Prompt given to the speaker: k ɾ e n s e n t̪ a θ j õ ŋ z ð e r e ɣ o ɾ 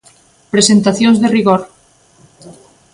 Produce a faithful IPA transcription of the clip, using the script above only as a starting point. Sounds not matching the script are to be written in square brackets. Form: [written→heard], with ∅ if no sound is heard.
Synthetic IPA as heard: [k→p] ɾ e [n→∅] s e n t̪ a θ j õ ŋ z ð e r [e→i] ɣ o ɾ